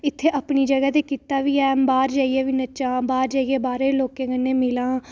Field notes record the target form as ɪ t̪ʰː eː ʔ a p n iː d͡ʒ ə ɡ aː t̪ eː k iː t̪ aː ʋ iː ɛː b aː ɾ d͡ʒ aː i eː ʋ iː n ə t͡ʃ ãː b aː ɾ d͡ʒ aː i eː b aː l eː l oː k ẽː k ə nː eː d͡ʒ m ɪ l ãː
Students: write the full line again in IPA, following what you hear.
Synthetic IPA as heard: ɪ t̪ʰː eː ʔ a p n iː d͡ʒ ə ɡ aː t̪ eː k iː t̪ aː ʋ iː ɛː b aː ɾ d͡ʒ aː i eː ʋ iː n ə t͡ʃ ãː b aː ɾ d͡ʒ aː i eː b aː ɾ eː l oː k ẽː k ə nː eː m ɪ l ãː